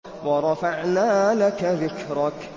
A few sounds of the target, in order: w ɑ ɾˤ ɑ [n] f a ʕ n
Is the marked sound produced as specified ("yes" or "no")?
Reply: no